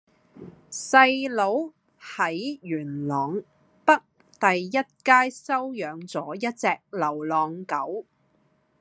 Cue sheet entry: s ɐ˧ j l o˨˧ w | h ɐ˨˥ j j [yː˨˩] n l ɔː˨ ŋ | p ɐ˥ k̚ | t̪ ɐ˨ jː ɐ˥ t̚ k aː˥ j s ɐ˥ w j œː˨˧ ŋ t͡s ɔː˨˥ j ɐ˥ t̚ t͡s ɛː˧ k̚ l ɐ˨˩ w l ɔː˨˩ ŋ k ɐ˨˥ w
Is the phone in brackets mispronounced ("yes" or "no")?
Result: no